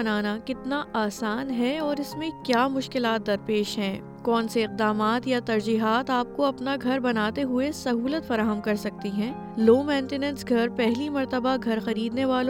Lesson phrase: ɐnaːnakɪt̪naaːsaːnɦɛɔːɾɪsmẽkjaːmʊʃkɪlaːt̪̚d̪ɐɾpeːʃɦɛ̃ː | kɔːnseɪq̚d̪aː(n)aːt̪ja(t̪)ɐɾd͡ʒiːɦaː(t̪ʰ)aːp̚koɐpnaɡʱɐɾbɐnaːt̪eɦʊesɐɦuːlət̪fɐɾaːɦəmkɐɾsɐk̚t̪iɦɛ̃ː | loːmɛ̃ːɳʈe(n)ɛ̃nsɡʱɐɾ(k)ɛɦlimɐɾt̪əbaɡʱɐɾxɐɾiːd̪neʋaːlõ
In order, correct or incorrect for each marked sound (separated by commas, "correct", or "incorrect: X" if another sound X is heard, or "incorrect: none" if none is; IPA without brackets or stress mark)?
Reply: incorrect: m, correct, incorrect: t̪, correct, incorrect: p